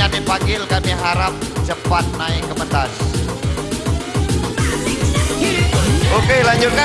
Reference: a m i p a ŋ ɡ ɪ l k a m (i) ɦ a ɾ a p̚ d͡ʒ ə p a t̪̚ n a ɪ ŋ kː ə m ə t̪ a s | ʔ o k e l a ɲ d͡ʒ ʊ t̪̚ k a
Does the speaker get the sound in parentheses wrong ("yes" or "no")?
no